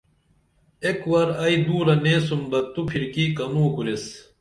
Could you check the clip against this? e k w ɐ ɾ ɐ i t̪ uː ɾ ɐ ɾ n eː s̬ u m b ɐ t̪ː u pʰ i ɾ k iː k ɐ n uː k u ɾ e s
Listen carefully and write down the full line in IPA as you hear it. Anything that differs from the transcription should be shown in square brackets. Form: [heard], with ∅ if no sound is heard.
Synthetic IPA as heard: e k w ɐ ɾ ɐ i [d̪] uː ɾ ɐ [∅] n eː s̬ u m b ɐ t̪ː u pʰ i ɾ k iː k ɐ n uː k u ɾ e s